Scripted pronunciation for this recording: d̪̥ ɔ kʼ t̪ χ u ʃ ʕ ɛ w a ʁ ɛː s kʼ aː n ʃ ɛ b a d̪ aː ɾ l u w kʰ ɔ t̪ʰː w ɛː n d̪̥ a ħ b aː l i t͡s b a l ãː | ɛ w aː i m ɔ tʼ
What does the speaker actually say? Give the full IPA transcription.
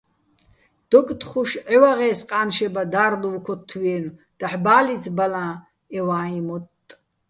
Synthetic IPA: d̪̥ ɔ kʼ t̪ χ u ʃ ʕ ɛ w a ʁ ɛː s qʼ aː n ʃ ɛ b a d̪ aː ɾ l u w kʰ ɔ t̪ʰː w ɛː n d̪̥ a ħ b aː l i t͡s b a l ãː | ɛ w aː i m ɔ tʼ